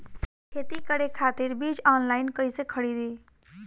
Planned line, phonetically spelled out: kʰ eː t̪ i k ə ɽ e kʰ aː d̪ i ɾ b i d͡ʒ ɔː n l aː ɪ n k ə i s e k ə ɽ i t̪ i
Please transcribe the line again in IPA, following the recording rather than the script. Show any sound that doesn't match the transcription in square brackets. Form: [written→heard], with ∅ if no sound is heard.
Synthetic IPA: kʰ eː t̪ i k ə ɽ e kʰ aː [d̪→t̪] i ɾ b i d͡ʒ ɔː n l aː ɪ n k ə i s e [k→kʰ] ə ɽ i [t̪→d̪] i